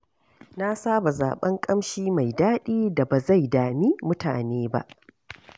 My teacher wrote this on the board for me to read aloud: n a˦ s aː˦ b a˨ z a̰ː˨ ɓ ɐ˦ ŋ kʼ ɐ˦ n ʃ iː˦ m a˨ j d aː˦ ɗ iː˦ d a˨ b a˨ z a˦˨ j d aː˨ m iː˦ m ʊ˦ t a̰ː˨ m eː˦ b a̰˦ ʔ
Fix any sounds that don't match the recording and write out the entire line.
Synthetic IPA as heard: n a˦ s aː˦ b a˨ z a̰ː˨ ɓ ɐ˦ ŋ kʼ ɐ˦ m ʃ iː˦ m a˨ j d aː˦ ɗ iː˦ d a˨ b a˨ z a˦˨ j d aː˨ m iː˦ m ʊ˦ t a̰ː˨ n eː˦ b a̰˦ ʔ